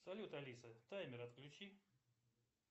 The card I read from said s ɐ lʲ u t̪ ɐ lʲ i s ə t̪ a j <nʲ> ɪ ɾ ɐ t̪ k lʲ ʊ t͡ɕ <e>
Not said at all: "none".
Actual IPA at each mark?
mʲ, i

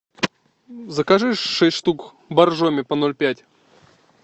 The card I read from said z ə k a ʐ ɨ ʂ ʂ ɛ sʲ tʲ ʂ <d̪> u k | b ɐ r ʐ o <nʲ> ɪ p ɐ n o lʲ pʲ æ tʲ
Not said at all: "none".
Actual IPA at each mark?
t̪, mʲ

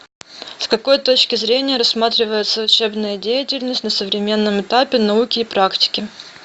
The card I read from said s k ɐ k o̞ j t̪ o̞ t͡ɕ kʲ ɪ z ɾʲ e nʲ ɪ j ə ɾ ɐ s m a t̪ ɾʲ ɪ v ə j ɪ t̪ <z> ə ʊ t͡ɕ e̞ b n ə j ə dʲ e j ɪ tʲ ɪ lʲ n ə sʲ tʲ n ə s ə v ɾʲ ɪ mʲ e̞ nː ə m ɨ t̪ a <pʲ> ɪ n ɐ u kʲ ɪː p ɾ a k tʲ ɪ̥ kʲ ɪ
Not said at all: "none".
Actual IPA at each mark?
s, pʲ

